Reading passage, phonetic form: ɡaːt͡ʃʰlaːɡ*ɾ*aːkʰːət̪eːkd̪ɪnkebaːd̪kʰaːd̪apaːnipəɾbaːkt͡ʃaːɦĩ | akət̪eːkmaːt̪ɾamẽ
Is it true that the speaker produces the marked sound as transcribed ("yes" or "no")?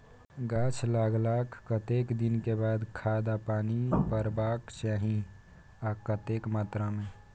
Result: no